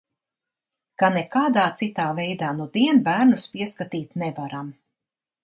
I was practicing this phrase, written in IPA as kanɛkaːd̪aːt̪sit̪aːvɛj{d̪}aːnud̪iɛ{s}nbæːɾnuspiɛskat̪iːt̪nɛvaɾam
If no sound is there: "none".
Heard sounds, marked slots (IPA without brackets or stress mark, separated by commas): d̪, none